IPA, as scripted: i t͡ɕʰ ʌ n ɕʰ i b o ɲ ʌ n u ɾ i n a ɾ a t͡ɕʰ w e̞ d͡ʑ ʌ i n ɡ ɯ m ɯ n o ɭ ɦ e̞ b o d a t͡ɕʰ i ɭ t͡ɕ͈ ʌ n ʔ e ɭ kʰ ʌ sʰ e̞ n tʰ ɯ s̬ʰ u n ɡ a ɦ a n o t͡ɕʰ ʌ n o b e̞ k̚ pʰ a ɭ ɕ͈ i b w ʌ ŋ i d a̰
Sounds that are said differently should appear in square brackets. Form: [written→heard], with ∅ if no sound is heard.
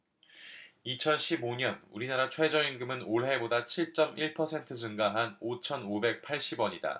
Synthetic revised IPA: i t͡ɕʰ ʌ n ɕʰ i b o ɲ ʌ n u ɾ i n a ɾ a t͡ɕʰ w e̞ d͡ʑ ʌ i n ɡ ɯ m ɯ n o ɭ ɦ e̞ b o d a t͡ɕʰ i ɭ t͡ɕ͈ ʌ [n→m] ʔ [e→i] ɭ [kʰ→pʰ] ʌ sʰ e̞ n tʰ ɯ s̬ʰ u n ɡ a ɦ a n o t͡ɕʰ ʌ n o b e̞ k̚ pʰ a ɭ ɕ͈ i b w ʌ [ŋ→ɲ] i d a̰